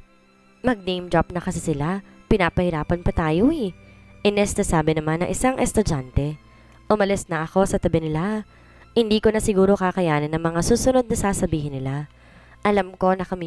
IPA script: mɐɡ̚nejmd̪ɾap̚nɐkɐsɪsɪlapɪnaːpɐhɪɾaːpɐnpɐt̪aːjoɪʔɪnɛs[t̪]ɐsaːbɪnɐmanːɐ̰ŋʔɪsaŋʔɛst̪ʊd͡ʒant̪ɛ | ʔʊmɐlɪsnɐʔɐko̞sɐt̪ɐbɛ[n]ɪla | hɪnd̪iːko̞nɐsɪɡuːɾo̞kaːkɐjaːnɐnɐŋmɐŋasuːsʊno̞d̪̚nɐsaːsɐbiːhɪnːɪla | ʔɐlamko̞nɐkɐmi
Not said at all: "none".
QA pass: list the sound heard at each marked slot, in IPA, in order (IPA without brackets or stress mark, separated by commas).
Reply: t̪, n